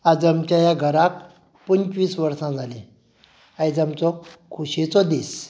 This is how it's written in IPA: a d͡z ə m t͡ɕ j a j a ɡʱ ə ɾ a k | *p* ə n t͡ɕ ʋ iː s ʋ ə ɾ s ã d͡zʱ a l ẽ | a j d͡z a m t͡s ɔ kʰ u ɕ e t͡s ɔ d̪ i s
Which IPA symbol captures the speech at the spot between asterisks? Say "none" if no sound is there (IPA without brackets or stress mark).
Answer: p